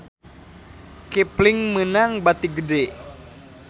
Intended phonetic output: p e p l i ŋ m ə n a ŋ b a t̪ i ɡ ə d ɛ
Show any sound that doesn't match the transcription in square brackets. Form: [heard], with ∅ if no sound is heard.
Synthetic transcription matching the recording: [k] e p l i ŋ m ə n a ŋ b a t̪ i ɡ ə d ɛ